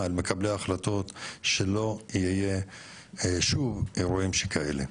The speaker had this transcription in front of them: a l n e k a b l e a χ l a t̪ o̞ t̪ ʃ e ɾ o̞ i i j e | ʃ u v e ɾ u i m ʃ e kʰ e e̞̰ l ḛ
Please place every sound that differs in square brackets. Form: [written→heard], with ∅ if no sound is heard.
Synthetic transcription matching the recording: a l [n→m] e k a b l e a χ l a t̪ o̞ t̪ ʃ e [ɾ→l] o̞ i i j e | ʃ u v e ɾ u i m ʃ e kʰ [e→a] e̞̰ l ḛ